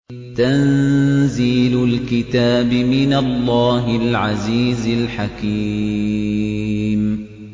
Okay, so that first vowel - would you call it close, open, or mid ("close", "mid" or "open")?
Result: open